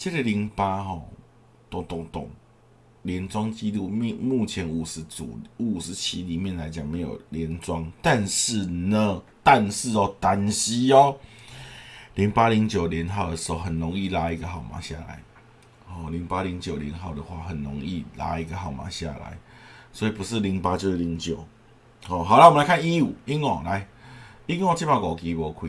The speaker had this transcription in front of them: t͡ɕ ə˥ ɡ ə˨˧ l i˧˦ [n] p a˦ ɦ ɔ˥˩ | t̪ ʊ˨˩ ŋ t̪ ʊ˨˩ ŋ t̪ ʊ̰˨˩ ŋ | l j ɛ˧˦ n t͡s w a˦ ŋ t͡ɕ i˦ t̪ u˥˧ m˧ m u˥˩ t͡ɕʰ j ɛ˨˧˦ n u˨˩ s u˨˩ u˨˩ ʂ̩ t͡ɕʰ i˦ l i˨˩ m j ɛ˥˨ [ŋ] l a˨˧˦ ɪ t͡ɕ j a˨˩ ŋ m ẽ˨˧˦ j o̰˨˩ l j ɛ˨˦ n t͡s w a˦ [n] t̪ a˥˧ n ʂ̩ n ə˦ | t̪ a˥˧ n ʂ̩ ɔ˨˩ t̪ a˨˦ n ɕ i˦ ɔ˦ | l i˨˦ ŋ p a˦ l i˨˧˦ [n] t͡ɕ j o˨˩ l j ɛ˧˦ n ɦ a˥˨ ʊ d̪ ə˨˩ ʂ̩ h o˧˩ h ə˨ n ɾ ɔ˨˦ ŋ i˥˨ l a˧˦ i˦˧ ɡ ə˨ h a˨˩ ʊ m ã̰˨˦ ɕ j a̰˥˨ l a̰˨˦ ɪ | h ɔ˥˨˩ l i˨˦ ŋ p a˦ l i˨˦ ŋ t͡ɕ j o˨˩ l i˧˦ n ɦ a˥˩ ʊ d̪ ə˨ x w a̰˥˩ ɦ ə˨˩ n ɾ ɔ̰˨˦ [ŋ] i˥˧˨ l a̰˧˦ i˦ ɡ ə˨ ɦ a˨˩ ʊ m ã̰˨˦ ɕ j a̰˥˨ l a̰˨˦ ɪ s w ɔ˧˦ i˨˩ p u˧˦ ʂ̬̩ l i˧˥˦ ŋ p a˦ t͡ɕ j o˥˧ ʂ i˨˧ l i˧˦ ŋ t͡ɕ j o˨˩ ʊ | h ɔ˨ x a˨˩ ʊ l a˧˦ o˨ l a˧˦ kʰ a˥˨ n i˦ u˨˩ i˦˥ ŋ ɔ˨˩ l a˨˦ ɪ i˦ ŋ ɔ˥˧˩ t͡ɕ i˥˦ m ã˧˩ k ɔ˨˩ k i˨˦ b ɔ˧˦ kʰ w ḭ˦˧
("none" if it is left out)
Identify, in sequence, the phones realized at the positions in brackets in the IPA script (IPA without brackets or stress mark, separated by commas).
ŋ, n, ŋ, ŋ, ŋ